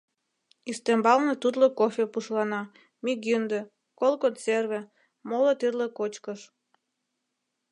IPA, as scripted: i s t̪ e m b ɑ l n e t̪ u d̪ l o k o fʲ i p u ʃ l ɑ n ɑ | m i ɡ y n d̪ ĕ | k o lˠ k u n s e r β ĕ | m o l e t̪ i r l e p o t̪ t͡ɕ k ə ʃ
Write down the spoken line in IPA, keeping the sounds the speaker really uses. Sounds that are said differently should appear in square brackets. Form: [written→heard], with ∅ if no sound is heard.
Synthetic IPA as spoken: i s t̪ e m b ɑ l n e t̪ u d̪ l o k o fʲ [i→e] p u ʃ l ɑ n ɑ | m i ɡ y n d̪ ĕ | k o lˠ k [u→o] n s e r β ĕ | m o l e t̪ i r l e [p→k] o [t̪→∅] t͡ɕ k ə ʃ